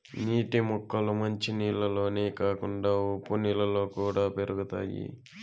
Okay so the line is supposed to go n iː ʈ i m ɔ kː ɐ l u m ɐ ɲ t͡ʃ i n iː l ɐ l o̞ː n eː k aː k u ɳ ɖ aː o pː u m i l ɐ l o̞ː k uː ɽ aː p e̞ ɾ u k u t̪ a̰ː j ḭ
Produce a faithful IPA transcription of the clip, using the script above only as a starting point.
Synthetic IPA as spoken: n iː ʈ i m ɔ kː ɐ l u m ɐ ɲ t͡ʃ i n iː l ɐ l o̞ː n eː k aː k u ɳ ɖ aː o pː u n i l ɐ l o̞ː k uː ɽ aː p e̞ ɾ u ɡ u t̪ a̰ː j ḭ